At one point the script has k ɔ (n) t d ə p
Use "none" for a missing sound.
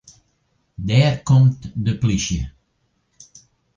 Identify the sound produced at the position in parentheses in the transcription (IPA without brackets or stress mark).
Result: m